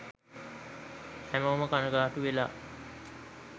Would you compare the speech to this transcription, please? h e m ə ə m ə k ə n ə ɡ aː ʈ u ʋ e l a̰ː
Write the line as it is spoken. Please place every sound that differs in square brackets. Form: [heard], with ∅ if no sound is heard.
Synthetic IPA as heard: h [æ] m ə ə m ə k [a] n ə ɡ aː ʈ u ʋ e l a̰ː